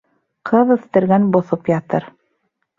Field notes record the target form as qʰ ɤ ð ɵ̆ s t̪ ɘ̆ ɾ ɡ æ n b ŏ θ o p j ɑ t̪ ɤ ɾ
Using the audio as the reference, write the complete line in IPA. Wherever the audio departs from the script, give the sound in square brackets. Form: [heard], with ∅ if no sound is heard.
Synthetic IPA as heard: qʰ ɤ ð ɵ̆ [θ] t̪ ɘ̆ ɾ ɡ æ n b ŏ θ o p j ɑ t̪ ɤ ɾ